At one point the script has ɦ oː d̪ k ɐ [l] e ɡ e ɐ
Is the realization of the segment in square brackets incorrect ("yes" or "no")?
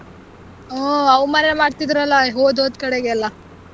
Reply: yes